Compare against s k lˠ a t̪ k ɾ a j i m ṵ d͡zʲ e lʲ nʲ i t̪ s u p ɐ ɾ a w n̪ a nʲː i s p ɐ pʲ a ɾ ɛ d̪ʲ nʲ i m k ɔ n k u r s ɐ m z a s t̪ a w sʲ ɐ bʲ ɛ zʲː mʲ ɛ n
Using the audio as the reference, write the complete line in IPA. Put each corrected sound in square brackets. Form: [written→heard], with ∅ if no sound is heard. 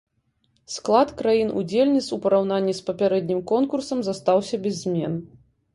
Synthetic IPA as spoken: s k lˠ a t̪ k ɾ a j i [m→n] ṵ d͡zʲ e lʲ nʲ i t̪ s u p ɐ ɾ a w n̪ a nʲː i s p ɐ pʲ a ɾ ɛ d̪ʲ nʲ i m k ɔ n k u r s ɐ m z a s t̪ a w sʲ ɐ bʲ ɛ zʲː mʲ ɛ n